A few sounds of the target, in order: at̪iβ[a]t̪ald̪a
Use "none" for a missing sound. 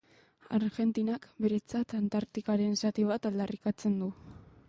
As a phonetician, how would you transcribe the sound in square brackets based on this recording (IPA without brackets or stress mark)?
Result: a